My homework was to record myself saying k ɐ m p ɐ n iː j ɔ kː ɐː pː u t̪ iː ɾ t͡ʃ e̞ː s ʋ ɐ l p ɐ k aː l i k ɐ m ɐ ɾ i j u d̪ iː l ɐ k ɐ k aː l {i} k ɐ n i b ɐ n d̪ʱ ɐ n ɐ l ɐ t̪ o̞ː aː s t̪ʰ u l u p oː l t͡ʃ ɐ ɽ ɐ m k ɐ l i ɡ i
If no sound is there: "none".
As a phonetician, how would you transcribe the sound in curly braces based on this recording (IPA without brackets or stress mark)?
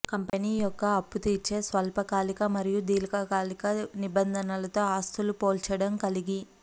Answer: i